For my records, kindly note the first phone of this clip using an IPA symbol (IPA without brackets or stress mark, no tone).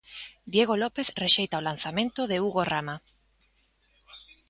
d̪